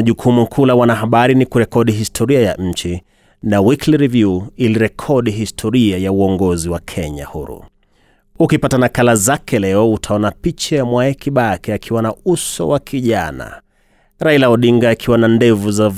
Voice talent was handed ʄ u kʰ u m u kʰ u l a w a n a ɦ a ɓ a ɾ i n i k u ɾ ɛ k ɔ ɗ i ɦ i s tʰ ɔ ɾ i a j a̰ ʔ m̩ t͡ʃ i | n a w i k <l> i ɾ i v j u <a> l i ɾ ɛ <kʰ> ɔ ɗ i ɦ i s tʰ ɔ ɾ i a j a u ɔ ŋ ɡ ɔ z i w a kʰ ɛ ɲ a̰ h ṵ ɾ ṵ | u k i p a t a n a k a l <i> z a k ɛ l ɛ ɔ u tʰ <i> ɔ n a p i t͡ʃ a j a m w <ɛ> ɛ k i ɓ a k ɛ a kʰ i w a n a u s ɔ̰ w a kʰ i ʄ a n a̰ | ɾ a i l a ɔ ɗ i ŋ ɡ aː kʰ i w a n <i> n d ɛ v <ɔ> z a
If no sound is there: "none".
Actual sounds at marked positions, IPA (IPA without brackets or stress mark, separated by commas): l, i, kʰ, a, a, a, a, u